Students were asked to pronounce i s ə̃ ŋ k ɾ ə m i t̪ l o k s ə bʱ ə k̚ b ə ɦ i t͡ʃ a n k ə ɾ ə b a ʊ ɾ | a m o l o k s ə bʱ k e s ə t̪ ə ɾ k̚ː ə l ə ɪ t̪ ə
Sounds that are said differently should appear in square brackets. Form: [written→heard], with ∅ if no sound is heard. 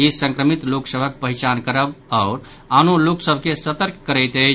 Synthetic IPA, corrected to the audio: i s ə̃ ŋ k ɾ ə m i t̪ l o k s ə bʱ ə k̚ [b→p] ə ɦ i t͡ʃ a n k ə ɾ ə b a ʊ ɾ | a [m→n] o l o k s ə bʱ k e s ə t̪ ə ɾ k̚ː ə [l→ɾ] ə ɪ t̪ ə

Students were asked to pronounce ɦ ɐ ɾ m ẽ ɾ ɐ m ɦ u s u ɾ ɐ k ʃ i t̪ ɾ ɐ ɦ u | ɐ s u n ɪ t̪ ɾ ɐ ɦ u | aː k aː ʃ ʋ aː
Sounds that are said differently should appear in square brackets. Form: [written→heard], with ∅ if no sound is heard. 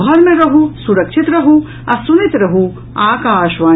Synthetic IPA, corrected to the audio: ɦ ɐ ɾ m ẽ ɾ ɐ [m→∅] ɦ u s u ɾ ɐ k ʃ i t̪ ɾ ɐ ɦ u | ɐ s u n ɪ t̪ ɾ ɐ ɦ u | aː k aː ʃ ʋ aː

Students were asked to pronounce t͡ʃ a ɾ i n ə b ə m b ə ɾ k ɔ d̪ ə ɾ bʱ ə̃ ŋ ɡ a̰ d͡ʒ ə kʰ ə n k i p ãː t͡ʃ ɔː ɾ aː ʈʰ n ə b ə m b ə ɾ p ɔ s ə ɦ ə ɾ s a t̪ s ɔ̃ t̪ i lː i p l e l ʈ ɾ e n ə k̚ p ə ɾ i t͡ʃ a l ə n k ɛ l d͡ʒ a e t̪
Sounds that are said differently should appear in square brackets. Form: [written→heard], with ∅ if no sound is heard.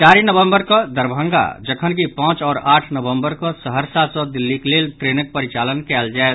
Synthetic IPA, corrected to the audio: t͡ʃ a ɾ i n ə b ə m b ə ɾ k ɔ d̪ ə ɾ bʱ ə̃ ŋ ɡ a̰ d͡ʒ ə kʰ ə n k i p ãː t͡ʃ ɔː ɾ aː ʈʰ n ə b ə m b ə ɾ [p→k] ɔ s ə ɦ ə ɾ s a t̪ s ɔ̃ [t̪→d̪] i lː i [p→k] l e l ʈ ɾ e n ə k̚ p ə ɾ i t͡ʃ a l ə n k ɛ l d͡ʒ a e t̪

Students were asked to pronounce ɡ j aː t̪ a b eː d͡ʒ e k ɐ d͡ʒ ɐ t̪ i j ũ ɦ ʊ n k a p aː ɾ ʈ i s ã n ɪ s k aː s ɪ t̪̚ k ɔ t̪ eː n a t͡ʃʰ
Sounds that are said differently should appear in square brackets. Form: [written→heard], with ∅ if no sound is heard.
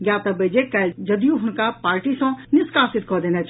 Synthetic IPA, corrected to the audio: ɡ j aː t̪ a b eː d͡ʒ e k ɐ d͡ʒ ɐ [t̪→d̪] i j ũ ɦ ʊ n k a p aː ɾ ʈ i s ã n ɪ s k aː s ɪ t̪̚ k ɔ [t̪→d̪] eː n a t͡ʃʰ

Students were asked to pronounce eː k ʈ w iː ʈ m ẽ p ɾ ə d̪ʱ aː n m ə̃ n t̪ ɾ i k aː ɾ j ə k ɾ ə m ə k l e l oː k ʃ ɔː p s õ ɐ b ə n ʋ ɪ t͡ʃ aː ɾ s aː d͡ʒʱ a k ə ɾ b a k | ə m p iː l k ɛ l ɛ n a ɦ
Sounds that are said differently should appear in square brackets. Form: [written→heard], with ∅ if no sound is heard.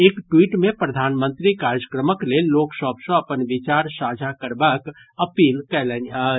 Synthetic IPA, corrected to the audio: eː k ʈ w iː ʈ m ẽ p ɾ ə d̪ʱ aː n m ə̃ n t̪ ɾ i k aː ɾ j ə k ɾ ə m ə k l e l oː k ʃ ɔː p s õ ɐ [b→p] ə n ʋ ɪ t͡ʃ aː ɾ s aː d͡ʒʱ a k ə ɾ b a k | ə [m→∅] p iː l k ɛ l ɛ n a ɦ

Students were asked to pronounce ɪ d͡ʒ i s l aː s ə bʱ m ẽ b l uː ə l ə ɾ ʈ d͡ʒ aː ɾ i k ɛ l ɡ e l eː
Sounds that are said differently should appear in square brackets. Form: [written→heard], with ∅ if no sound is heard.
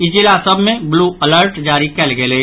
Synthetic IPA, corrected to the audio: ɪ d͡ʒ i [s→∅] l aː s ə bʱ m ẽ b l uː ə l ə ɾ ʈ d͡ʒ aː ɾ i k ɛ l ɡ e l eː

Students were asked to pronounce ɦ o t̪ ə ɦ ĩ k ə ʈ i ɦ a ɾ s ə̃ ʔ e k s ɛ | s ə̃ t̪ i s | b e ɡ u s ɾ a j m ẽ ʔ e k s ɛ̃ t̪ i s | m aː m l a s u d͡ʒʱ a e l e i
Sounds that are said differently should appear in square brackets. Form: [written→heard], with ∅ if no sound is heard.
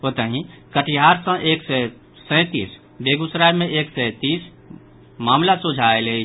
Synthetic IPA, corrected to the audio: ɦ o t̪ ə ɦ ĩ k ə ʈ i ɦ a ɾ s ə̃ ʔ e k s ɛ | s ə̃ t̪ i s | b e ɡ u s ɾ a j m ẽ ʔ e k s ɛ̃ t̪ i s | m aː m l a s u d͡ʒʱ a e l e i

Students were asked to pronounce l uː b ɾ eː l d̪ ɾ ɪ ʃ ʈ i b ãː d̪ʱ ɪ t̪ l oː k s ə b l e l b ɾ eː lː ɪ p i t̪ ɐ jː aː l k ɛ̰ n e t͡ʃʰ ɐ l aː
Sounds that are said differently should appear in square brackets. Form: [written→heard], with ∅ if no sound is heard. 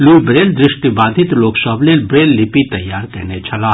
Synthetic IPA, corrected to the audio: l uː b ɾ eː l d̪ ɾ ɪ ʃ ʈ i b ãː d̪ʱ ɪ t̪ l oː k s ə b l e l b ɾ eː lː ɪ p i t̪ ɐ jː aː [l→ɾ] k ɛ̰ n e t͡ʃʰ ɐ l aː

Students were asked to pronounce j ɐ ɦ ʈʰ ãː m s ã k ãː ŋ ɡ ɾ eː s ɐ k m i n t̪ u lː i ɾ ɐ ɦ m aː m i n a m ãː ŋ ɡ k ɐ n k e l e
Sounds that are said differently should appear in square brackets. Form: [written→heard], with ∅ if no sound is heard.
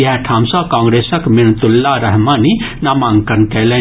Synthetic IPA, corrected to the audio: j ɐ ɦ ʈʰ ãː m s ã k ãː ŋ ɡ ɾ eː s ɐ k m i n t̪ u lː [i→a] ɾ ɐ ɦ m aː [m→n] i n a m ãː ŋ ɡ k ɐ n k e l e

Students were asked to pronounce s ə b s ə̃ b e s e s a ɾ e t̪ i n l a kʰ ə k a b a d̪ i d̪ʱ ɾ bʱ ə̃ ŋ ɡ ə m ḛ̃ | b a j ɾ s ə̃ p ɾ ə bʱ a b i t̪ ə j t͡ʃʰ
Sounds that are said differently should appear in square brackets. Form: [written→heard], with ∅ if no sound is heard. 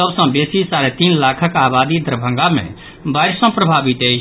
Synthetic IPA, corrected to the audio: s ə b s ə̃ b e s [e→i] s a ɾ e t̪ i n l a kʰ ə k a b a d̪ i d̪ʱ ɾ bʱ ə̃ ŋ ɡ [ə→a] m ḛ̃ | b a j ɾ s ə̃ p ɾ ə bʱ a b i t̪ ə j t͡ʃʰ

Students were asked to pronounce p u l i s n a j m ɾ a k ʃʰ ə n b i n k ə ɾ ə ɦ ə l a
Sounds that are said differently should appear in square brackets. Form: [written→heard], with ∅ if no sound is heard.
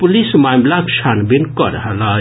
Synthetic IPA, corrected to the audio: p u l i s [n→m] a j m [ɾ→l] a k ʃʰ [ə→a] n b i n k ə ɾ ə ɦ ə l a

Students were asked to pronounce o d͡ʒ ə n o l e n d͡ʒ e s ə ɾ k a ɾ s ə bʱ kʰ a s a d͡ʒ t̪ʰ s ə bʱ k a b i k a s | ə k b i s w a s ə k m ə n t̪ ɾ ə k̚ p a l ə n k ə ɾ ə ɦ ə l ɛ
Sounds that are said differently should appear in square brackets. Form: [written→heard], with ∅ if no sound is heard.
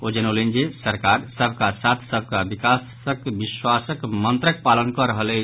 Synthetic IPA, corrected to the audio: o d͡ʒ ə n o l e n d͡ʒ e s ə ɾ k a ɾ s ə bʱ [kʰ→k] a s a [d͡ʒ→∅] t̪ʰ s ə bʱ k a b i k a s | ə k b i s w a s ə k m ə n t̪ ɾ ə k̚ p a l ə n k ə ɾ ə ɦ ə l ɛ

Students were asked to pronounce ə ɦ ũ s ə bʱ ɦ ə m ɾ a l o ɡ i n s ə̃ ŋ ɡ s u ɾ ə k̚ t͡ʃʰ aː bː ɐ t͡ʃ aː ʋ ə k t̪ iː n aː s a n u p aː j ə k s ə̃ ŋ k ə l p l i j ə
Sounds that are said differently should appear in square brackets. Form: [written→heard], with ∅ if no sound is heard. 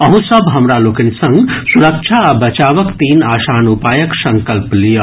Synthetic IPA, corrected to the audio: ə ɦ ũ s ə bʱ ɦ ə m ɾ a l o [ɡ→k] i n s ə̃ ŋ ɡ s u ɾ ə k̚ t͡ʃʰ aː [bː→b] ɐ t͡ʃ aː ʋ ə k t̪ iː n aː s a n u p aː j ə k s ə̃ ŋ k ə l p l i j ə

